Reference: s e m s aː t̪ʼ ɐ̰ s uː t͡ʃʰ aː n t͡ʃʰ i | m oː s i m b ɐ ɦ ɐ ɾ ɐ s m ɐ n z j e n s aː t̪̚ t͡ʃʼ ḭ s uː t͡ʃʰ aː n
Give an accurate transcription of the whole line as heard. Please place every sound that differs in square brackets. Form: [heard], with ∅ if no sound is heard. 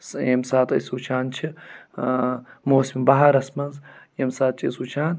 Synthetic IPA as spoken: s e m s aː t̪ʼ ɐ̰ s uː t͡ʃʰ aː n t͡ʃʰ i | m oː s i m b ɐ ɦ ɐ ɾ ɐ s m ɐ n z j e [m] s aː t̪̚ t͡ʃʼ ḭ s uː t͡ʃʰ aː n